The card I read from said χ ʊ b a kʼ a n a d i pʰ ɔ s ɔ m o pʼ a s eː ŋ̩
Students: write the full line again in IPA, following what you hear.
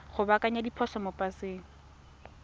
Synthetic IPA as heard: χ ʊ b a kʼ a ɲ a d i pʰ ɔ s ɔ m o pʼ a s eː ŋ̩

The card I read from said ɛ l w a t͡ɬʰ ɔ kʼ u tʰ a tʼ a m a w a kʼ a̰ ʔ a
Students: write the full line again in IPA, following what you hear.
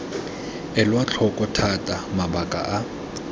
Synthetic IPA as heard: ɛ l w a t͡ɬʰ ɔ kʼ ɔ tʰ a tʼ a m a b a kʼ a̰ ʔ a

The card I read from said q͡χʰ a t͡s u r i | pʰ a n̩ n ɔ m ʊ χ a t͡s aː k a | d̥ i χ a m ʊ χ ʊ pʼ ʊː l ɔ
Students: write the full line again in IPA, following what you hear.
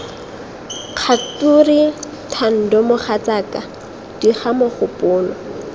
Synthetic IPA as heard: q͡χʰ a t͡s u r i | tʰ a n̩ d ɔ m ʊ χ a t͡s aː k a | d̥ i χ a m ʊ χ ʊ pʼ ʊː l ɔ

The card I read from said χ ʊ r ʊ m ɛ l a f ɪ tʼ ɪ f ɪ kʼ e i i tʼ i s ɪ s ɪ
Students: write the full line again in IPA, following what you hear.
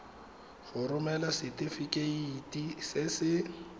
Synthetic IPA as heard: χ ʊ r ʊ m ɛ l a s ɪ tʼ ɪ f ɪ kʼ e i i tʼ i s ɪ s ɪ

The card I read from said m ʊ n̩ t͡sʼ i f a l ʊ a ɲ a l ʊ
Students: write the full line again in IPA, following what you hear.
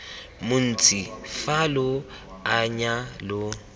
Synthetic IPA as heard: m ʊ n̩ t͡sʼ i f a l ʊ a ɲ a l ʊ

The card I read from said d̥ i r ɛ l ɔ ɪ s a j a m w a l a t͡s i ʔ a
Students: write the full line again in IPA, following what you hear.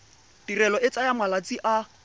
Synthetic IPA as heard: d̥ i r ɛ l ɔ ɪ t͡s a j a m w a l a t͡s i ʔ a

